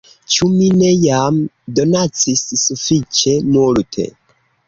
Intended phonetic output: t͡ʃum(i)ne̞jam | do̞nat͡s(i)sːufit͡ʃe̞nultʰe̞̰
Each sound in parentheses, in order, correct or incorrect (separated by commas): correct, correct